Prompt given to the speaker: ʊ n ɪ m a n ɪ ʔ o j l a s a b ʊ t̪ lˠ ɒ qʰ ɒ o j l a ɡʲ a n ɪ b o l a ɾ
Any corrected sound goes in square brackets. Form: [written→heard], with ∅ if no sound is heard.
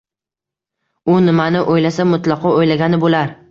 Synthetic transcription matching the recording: ʊ n ɪ m a n ɪ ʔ o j l a s a [b→m] ʊ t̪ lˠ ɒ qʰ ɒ o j l a ɡʲ a n ɪ b o l a ɾ